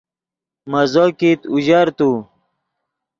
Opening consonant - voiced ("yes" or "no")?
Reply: yes